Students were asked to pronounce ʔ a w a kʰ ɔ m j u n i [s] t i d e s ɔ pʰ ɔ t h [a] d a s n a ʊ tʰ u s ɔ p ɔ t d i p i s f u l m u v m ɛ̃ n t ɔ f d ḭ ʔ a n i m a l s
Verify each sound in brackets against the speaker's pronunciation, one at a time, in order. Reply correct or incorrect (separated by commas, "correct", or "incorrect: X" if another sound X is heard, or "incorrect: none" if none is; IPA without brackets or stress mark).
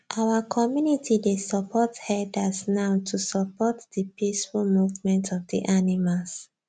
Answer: incorrect: none, incorrect: ɛ